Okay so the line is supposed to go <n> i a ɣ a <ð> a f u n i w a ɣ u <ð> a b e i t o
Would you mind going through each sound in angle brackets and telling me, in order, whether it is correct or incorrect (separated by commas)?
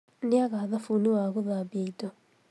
correct, correct, correct